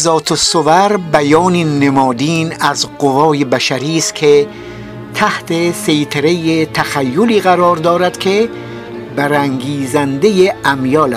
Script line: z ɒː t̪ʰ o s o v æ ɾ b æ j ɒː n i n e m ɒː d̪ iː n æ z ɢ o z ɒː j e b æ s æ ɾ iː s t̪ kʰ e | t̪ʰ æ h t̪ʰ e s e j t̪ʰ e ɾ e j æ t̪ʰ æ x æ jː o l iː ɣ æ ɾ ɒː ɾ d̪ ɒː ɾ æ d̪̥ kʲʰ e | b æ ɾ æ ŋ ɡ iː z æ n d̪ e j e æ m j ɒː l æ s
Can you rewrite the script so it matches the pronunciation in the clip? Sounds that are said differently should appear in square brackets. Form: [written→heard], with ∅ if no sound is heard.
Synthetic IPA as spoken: z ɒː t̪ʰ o s o v æ ɾ b æ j ɒː n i n e m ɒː d̪ iː n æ z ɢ o [z→v] ɒː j e b æ [s→ʃ] æ ɾ iː s t̪ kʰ e | t̪ʰ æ h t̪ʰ e s e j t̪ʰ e ɾ e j [æ→e] t̪ʰ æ x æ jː o l iː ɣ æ ɾ ɒː ɾ d̪ ɒː ɾ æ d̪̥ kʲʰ e | b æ ɾ æ ŋ ɡ iː z æ n d̪ e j e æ m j ɒː l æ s